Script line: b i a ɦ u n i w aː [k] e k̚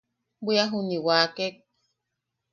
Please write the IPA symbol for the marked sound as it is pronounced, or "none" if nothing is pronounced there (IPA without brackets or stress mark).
k